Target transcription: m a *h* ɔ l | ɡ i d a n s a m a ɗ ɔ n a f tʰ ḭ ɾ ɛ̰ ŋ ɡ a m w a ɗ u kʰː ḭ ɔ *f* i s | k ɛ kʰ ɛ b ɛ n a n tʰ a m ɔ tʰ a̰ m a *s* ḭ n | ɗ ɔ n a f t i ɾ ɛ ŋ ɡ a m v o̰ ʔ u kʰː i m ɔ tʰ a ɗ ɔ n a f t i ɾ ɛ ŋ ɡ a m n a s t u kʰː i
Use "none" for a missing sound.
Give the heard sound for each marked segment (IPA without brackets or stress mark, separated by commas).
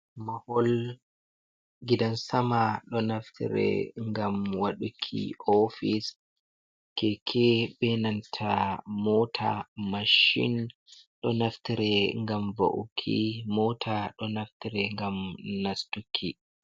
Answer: h, f, ʃ